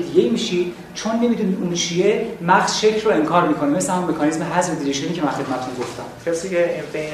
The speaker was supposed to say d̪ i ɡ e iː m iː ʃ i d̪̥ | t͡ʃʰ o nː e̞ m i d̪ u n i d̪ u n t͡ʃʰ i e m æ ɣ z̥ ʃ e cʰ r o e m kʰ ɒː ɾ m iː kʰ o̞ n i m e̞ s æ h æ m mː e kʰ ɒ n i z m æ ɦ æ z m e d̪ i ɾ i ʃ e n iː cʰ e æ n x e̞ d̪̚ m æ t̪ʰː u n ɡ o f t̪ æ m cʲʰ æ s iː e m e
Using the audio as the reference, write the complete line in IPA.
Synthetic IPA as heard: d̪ i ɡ e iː m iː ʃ i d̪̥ | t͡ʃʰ o nː e̞ m i d̪ u n i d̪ u n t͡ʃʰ i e m æ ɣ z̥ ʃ e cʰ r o e ŋ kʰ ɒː ɾ m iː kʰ o̞ n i m e̞ s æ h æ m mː e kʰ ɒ n i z m e ɦ æ z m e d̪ i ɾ i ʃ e n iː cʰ e æ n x e̞ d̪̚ m æ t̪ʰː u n ɡ o f t̪ æ m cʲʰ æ s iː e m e